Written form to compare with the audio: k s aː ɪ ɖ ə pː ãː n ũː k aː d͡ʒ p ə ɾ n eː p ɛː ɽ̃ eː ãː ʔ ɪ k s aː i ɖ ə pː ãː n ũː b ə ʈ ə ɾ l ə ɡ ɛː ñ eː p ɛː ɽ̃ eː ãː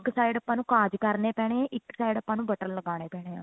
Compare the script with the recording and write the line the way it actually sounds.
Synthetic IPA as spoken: k s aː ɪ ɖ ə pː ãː n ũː k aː d͡ʒ k ə ɾ n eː p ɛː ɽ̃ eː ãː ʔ ɪ k s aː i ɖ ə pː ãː n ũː b ə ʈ ə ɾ l ə ɡ aː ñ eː p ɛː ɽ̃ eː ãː